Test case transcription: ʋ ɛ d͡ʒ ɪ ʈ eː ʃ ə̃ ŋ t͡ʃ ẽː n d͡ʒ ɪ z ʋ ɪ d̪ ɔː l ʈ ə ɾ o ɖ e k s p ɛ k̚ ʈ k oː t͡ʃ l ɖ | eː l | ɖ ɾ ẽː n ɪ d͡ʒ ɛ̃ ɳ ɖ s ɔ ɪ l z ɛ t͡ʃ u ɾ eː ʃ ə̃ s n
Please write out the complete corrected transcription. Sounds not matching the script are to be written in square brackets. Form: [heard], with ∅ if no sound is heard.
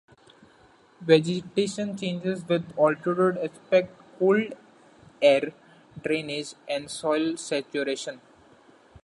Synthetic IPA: ʋ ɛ d͡ʒ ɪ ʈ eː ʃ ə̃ [n] t͡ʃ ẽː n d͡ʒ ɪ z ʋ ɪ d̪ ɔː l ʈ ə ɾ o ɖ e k s p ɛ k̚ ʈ k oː [∅] l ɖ | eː [ɾ] | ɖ ɾ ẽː n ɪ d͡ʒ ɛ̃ ɳ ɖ s ɔ ɪ l [s] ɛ t͡ʃ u ɾ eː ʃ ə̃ [∅] n